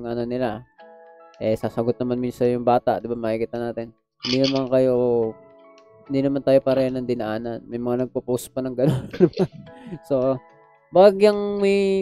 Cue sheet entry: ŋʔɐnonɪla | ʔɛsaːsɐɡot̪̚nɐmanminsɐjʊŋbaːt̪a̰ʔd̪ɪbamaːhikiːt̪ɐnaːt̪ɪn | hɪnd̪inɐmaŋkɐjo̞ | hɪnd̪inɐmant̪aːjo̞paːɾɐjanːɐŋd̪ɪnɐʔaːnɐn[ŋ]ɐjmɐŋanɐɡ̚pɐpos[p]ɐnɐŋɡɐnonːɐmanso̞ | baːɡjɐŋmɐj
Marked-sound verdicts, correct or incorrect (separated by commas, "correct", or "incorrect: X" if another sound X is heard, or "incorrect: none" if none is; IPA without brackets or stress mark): incorrect: m, correct